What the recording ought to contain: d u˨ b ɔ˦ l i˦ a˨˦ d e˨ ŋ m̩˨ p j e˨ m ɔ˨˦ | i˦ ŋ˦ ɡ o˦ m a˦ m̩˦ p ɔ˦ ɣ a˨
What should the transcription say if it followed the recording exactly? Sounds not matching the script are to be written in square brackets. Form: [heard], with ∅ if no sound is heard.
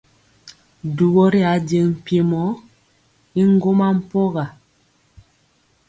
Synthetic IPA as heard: d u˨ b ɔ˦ [ɾ] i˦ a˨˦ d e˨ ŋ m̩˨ p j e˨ m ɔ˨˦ | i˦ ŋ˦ ɡ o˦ m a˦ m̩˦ p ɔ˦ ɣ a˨